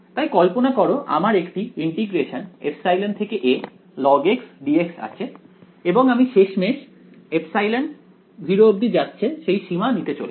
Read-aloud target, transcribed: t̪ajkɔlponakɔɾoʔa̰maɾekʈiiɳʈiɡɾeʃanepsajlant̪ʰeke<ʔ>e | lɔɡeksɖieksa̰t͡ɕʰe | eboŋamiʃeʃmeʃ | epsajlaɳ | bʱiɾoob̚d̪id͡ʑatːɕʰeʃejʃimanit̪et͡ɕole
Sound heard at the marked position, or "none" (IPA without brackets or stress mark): ʔ